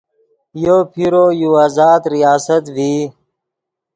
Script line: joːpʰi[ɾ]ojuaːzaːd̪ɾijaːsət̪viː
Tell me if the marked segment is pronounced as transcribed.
yes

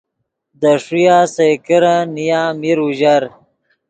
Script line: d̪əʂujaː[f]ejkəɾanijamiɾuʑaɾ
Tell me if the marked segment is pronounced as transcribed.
no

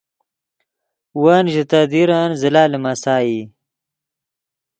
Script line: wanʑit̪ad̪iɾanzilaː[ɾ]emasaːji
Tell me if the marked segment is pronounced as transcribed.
no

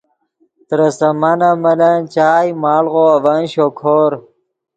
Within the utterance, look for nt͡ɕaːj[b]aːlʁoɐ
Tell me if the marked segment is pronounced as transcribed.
no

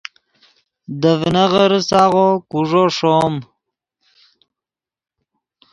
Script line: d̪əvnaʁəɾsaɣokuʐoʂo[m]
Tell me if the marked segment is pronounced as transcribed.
yes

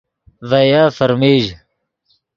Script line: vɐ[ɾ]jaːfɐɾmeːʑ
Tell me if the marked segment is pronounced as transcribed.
no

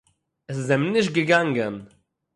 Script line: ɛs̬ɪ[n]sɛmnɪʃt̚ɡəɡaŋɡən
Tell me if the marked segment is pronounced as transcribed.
no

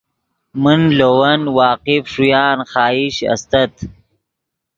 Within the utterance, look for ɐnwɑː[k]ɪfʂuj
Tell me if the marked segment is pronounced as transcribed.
no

